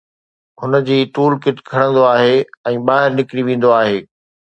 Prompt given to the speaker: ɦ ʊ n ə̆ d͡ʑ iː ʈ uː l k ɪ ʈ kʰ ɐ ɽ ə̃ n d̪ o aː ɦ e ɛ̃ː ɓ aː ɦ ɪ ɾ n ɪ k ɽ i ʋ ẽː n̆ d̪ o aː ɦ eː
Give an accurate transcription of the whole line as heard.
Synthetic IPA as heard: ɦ ʊ n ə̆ d͡ʑ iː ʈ uː l k ɪ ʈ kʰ ɐ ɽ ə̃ n d̪ o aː ɦ e ɛ̃ː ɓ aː ɦ ɪ ɾ n ɪ k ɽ i ʋ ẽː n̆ d̪ o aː ɦ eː